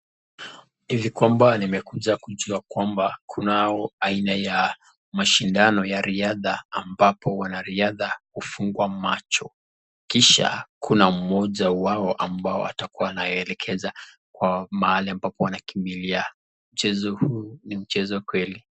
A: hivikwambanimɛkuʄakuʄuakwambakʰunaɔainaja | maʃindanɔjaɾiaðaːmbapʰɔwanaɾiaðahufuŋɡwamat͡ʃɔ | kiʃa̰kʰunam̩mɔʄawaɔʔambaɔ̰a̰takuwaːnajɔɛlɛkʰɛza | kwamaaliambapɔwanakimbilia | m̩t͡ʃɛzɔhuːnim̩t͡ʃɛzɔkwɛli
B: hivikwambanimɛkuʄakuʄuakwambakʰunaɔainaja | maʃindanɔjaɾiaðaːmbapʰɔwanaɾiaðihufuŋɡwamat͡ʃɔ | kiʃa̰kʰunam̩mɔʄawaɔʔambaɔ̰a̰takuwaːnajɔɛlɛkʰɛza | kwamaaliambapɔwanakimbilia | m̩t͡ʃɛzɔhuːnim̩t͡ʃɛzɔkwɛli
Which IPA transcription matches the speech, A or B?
A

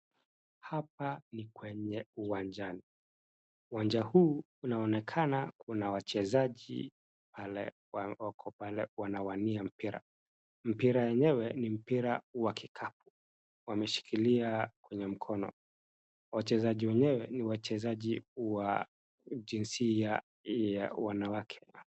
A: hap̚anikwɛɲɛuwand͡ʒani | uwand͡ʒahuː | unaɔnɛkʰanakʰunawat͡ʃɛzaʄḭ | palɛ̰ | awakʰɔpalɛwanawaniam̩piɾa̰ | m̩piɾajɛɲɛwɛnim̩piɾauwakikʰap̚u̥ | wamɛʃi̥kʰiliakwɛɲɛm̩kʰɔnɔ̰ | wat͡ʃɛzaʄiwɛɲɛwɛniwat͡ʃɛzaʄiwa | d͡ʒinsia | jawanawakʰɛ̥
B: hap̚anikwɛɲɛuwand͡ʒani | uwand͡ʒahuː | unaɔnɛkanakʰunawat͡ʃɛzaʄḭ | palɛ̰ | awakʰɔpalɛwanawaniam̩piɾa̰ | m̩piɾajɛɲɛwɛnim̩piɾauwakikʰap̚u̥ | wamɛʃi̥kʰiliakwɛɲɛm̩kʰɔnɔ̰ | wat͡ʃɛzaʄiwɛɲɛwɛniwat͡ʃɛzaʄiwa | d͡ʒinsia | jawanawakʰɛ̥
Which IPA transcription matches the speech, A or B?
A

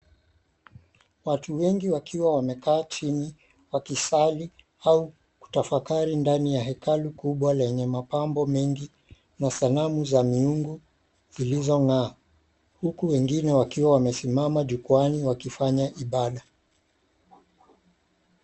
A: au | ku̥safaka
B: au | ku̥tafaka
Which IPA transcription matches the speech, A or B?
B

